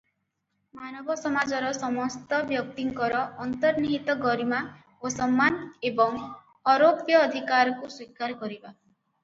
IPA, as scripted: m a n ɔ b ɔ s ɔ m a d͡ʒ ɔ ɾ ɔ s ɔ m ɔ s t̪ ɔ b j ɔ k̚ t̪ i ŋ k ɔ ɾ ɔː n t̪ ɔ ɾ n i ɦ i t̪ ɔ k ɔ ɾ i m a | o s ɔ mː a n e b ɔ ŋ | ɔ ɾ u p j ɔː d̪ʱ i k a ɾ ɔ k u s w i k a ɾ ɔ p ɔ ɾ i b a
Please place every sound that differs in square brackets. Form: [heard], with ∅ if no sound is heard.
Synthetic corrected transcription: m a n ɔ b ɔ s ɔ m a d͡ʒ ɔ ɾ ɔ s ɔ m ɔ s t̪ ɔ b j ɔ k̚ t̪ i ŋ k ɔ ɾ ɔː n t̪ ɔ ɾ n i ɦ i t̪ ɔ [ɡ] ɔ ɾ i m a | o s ɔ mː a n e b ɔ ŋ | ɔ ɾ [o] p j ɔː d̪ʱ i k a ɾ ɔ k u s w i k a ɾ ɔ [k] ɔ ɾ i b a